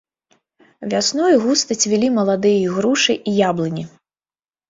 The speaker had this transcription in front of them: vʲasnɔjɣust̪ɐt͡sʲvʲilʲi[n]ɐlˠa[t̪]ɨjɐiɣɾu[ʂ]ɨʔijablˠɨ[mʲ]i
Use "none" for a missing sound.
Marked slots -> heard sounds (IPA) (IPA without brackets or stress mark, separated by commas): m, d̪, ʂ, nʲ